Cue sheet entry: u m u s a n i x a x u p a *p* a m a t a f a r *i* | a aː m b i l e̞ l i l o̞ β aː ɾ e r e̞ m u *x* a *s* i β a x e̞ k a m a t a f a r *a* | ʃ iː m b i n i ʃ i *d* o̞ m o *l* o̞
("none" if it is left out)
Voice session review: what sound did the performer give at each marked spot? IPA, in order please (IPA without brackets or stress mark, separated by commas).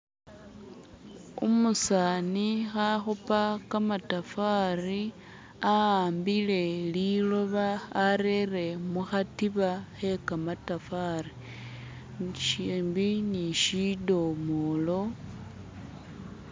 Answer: k, i, x, t, i, d, l